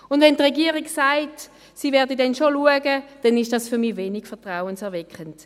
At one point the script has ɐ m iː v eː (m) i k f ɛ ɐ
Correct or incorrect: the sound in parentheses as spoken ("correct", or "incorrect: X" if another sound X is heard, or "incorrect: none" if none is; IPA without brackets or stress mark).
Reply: incorrect: n